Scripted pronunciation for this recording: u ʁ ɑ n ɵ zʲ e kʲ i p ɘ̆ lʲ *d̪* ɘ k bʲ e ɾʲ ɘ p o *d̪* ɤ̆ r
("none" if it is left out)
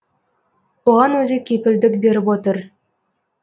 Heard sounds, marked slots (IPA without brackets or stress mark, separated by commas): d̪, t̪